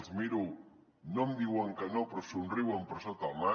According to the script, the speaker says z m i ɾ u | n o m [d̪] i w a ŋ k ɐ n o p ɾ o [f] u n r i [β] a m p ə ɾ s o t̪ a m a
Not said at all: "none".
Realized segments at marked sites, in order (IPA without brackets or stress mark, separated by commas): d̪, s, w